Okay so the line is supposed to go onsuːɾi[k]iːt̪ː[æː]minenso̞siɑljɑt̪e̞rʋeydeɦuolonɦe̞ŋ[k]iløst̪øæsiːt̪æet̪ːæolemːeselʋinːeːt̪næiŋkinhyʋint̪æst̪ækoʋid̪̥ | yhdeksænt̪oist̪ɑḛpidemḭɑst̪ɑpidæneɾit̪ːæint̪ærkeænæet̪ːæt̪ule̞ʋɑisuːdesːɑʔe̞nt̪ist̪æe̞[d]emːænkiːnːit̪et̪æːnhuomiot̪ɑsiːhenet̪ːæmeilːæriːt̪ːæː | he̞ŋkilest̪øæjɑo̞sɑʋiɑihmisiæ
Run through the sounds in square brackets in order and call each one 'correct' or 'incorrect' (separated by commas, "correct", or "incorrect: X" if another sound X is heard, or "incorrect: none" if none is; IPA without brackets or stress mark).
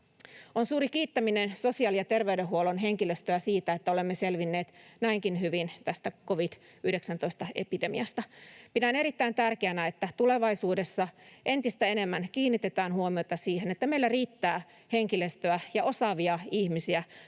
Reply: correct, incorrect: æ, correct, incorrect: n